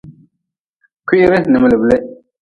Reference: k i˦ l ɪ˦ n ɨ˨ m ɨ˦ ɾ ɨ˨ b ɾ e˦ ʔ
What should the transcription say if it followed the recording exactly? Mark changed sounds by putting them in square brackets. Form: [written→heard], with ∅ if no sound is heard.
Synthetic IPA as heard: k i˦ [l→ɾ] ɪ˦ n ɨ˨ m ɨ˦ [ɾ→l] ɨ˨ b [ɾ→l] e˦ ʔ